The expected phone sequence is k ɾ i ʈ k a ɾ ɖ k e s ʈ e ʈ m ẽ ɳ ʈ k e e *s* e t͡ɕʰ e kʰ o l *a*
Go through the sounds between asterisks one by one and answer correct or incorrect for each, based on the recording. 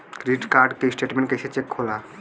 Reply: incorrect, correct

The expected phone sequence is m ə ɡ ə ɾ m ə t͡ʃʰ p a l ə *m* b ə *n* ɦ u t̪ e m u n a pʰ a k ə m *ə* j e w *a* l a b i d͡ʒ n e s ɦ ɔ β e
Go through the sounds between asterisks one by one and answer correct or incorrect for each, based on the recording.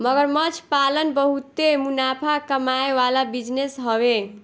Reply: incorrect, incorrect, incorrect, correct

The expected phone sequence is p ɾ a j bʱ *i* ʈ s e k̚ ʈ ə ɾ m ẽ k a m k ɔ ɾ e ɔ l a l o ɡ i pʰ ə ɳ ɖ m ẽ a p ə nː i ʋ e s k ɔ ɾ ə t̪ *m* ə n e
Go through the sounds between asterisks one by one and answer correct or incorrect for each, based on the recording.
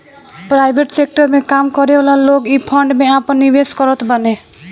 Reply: incorrect, incorrect

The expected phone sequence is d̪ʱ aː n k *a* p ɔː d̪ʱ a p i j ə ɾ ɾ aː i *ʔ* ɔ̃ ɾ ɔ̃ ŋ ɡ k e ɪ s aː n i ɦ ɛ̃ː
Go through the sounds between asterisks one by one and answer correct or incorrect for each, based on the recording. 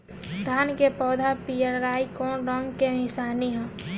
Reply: incorrect, incorrect

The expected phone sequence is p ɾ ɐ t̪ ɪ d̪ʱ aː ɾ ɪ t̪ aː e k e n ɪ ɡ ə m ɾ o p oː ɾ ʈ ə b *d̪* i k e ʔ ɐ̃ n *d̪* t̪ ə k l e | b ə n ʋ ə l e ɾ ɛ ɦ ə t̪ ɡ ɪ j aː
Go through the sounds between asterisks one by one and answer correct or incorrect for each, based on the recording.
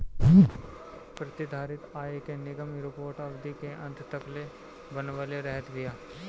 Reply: correct, incorrect

